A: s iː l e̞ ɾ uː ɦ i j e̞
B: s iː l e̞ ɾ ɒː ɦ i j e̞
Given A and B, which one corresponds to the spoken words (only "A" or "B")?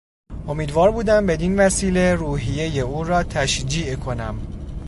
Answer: A